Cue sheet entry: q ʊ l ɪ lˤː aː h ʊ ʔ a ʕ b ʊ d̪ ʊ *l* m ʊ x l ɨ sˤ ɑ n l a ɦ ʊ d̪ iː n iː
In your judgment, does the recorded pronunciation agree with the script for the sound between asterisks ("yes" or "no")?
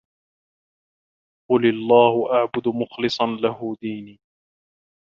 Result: no